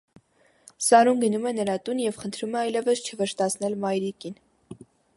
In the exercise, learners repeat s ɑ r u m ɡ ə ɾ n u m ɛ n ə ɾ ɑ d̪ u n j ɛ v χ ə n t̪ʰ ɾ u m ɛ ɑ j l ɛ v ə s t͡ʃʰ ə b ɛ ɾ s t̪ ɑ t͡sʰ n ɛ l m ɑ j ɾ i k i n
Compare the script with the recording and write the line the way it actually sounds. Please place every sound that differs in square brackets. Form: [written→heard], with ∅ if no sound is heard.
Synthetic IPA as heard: s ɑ [r→ɾ] u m ɡ ə [ɾ→∅] n u m ɛ n ə ɾ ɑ [d̪→t̪] u n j ɛ v χ ə n t̪ʰ ɾ u m ɛ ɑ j l ɛ v ə s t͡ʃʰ ə [b→v] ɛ ɾ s t̪ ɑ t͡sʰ n ɛ l m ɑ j ɾ i k i n